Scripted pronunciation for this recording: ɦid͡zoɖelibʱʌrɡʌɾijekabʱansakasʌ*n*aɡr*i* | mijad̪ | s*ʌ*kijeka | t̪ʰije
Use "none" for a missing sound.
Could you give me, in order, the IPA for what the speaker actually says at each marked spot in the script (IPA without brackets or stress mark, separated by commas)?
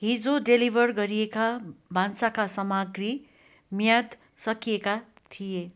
m, i, ʌ